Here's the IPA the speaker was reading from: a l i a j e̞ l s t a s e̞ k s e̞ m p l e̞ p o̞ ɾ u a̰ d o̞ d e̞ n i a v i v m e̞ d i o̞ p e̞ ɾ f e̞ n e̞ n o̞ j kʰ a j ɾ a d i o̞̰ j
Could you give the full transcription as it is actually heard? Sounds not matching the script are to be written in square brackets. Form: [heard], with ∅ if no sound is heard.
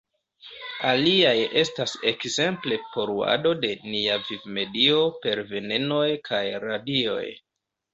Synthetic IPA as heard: a l i a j e̞ [∅] s t a s e̞ k [z] e̞ m p l e̞ p o̞ ɾ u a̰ d o̞ d e̞ n i a v i v m e̞ d i o̞ p e̞ ɾ [v] e̞ n e̞ n o̞ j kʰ a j ɾ a d i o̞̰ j